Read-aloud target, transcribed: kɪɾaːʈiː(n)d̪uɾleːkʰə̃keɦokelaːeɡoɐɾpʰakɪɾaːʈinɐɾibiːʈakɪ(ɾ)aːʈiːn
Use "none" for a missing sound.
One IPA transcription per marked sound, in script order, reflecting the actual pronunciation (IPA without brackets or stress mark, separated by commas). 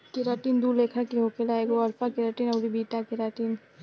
n, ɾ